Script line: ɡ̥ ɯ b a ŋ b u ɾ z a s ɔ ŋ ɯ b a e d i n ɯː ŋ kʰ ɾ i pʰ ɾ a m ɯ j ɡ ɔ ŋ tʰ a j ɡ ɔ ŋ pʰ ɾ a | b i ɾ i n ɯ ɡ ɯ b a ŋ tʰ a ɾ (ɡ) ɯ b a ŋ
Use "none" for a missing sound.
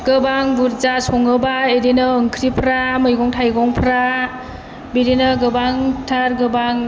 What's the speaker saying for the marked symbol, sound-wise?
ɡ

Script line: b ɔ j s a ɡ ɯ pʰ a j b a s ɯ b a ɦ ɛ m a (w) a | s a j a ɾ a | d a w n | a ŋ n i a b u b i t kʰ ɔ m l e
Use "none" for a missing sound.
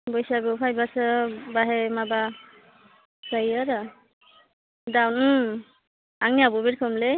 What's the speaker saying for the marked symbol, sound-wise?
b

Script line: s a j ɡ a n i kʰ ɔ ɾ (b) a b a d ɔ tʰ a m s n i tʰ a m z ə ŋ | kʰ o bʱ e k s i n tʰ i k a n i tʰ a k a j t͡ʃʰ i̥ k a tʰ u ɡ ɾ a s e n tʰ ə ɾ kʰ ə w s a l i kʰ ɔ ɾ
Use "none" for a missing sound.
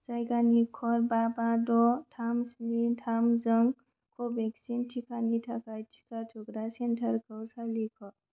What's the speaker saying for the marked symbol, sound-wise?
b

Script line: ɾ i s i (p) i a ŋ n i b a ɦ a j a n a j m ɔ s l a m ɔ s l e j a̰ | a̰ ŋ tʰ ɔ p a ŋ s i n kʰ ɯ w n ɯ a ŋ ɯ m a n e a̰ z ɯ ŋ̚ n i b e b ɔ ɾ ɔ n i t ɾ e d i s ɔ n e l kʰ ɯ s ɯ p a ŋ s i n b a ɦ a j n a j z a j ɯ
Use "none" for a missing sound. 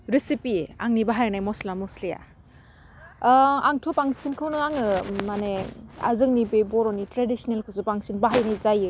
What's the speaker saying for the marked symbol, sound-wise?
p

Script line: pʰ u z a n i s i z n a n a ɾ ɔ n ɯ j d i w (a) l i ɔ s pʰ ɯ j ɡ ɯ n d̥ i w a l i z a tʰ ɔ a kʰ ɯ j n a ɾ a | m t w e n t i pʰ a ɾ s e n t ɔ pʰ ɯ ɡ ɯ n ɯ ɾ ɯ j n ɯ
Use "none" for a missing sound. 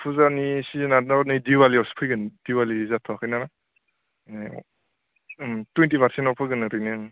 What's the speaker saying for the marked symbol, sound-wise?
a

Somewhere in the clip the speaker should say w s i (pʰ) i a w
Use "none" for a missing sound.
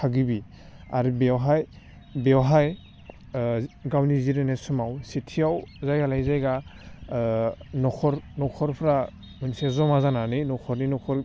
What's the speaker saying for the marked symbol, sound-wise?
tʰ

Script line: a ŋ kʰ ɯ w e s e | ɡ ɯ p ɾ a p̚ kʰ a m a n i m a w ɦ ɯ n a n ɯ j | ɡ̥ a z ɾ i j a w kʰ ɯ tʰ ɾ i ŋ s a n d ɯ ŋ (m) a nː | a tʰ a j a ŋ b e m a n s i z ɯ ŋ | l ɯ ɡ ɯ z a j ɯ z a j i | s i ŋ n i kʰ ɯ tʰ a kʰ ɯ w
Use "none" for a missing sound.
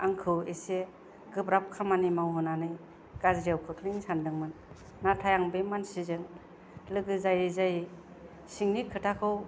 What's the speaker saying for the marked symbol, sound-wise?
m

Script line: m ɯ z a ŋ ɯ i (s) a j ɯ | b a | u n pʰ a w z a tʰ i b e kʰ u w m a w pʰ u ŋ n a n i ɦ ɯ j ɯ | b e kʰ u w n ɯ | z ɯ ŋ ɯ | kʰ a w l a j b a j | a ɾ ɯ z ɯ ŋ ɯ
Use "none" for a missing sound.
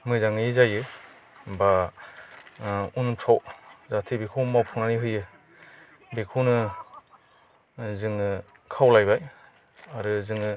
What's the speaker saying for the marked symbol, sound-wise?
z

